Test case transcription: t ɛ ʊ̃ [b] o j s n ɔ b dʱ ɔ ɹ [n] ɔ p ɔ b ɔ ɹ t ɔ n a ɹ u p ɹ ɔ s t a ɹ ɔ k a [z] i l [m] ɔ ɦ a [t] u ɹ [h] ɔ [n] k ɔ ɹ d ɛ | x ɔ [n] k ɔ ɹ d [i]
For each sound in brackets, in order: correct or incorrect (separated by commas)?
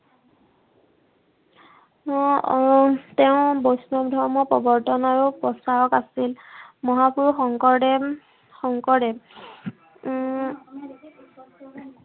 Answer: correct, incorrect, incorrect, correct, incorrect, incorrect, incorrect, incorrect, incorrect